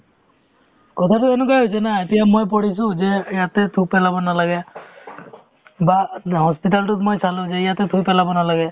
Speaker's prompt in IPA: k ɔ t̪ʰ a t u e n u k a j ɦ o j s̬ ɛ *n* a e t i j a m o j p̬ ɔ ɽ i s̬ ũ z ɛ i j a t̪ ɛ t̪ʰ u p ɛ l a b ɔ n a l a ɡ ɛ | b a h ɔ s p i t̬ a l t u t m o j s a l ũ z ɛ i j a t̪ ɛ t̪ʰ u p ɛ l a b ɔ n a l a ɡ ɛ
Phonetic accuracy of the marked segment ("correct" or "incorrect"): correct